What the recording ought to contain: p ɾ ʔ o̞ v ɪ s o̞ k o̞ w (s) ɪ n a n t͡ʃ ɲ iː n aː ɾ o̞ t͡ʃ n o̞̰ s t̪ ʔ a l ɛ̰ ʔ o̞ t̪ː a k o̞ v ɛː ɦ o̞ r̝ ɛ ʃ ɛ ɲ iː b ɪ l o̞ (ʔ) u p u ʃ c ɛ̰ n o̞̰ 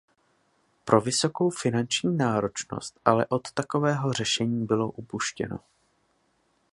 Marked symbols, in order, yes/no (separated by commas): no, yes